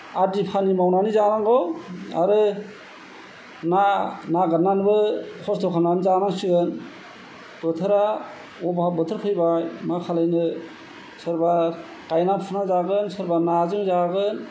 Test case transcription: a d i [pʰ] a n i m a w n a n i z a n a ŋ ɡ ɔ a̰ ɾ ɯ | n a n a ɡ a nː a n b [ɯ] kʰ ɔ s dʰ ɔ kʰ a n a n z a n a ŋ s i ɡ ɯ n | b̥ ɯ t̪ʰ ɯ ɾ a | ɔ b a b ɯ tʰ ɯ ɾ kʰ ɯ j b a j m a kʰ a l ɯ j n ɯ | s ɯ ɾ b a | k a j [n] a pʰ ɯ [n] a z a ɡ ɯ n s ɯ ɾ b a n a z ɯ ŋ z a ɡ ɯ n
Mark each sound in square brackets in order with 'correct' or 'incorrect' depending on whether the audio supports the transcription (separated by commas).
correct, correct, correct, correct